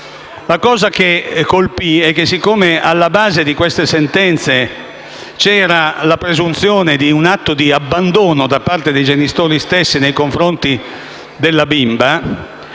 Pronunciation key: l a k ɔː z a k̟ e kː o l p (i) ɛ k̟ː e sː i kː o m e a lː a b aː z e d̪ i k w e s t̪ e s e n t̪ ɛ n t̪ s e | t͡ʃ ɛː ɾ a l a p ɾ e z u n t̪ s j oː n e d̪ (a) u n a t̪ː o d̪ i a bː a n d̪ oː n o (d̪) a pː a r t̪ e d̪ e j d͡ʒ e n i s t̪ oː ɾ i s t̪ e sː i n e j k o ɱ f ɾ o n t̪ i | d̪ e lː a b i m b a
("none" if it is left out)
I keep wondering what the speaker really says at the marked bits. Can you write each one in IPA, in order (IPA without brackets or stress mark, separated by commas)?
i, i, d̪